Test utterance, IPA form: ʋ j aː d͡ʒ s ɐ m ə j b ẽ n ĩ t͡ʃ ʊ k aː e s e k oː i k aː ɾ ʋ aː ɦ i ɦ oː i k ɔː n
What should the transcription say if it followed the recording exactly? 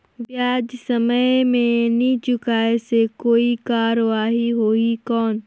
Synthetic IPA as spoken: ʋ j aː d͡ʒ s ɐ m ə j m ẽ n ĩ t͡ʃ ʊ k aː e s e k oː i k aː ɾ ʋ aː ɦ i ɦ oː i k ɔː n